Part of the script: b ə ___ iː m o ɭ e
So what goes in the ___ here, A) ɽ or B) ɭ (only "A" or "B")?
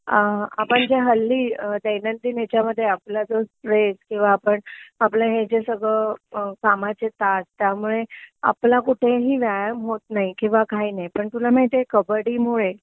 A